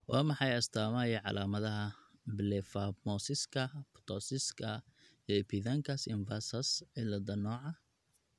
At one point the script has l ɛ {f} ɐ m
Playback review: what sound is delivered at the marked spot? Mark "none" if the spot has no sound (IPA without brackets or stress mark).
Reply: f